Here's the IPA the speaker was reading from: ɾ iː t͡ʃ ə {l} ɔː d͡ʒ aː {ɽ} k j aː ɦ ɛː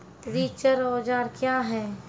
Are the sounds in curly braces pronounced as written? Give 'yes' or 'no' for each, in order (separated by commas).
no, no